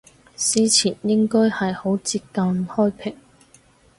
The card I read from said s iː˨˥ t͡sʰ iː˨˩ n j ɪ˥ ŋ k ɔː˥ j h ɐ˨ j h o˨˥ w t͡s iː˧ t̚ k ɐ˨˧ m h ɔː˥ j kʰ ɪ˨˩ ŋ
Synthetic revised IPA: s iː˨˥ t͡sʰ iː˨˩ n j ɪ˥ ŋ k ɔː˥ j h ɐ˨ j h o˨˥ w t͡s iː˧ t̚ k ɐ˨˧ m h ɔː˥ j pʰ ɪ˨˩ ŋ